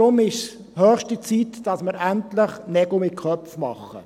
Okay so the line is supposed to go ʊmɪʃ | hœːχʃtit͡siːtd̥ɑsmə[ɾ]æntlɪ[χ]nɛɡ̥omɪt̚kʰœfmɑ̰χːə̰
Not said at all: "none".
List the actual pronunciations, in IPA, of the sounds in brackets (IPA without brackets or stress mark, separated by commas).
ɾ, χ